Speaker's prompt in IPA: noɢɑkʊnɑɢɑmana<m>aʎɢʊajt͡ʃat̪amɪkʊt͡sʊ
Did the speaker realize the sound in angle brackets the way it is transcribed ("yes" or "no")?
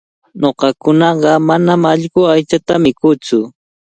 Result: yes